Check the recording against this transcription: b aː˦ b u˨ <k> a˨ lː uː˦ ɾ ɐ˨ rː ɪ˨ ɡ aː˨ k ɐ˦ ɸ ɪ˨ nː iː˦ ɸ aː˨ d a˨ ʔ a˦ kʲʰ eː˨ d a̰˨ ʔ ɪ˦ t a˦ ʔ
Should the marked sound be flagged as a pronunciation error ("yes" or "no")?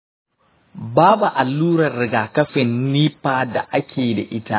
yes